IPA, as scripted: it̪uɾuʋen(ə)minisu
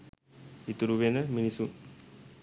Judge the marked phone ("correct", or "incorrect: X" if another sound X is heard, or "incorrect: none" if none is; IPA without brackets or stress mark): correct